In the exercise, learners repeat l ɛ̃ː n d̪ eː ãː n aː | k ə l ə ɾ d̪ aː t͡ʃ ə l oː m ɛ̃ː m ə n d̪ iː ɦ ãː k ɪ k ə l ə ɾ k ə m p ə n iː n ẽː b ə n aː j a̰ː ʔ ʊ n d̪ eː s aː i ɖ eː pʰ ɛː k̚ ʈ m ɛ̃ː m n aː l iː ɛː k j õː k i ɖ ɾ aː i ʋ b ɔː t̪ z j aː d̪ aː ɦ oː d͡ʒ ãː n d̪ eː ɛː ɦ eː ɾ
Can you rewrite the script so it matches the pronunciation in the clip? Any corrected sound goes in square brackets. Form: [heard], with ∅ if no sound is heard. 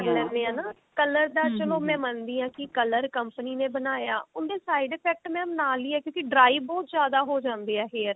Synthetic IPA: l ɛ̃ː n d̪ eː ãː n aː | k ə l ə ɾ d̪ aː t͡ʃ ə l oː m ɛ̃ː m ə n d̪ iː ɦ ãː k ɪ k ə l ə ɾ k ə m p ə n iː n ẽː b ə n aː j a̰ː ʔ ʊ n d̪ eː s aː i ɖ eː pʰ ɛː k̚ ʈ m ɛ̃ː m n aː l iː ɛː k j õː k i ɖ ɾ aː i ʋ b ɔː t̪ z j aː d̪ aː ɦ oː d͡ʒ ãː n d̪ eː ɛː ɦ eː ɾ